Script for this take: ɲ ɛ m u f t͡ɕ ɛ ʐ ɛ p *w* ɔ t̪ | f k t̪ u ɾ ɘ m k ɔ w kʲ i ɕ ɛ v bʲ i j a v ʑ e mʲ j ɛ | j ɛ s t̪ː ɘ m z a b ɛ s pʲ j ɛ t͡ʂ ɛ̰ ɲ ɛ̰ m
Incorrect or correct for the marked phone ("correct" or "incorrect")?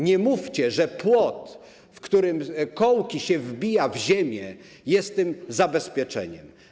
correct